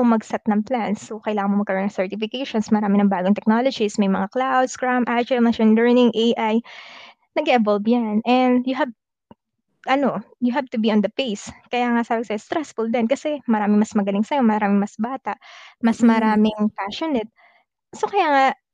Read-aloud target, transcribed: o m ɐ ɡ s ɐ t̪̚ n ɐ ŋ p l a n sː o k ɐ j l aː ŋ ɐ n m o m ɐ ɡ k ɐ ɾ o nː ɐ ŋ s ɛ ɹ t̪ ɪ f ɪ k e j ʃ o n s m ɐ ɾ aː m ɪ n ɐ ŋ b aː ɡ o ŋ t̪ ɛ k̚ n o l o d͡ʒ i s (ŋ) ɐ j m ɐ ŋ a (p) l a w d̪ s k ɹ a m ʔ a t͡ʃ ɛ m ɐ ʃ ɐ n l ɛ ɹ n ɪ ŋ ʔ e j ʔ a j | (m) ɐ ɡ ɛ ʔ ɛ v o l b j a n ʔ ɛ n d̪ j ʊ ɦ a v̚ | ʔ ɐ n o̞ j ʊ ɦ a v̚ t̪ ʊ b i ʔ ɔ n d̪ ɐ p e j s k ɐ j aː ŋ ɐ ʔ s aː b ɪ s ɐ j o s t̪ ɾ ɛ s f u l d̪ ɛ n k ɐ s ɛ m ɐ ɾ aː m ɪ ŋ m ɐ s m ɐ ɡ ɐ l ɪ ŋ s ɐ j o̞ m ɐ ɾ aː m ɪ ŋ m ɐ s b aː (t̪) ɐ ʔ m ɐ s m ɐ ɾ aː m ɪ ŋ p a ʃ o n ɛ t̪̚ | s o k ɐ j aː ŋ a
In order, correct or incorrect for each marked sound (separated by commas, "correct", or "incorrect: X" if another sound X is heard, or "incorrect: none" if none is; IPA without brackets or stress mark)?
incorrect: m, incorrect: k, incorrect: n, correct